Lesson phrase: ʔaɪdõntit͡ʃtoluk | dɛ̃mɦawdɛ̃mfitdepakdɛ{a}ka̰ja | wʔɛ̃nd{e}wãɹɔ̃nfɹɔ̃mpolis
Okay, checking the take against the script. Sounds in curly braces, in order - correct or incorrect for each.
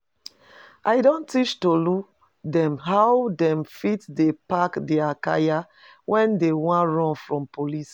correct, correct

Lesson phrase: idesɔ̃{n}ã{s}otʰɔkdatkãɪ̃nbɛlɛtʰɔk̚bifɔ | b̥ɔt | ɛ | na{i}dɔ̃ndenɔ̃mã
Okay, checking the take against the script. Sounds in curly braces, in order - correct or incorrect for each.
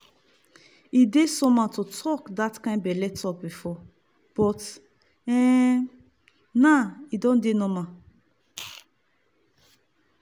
incorrect: m, incorrect: t, correct

